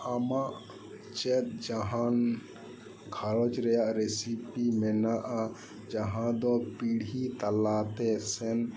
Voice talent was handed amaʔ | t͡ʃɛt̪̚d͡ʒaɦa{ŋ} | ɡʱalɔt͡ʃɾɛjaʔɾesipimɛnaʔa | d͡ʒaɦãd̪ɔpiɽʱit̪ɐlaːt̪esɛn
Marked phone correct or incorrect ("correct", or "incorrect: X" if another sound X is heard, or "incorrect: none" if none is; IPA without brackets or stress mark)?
incorrect: n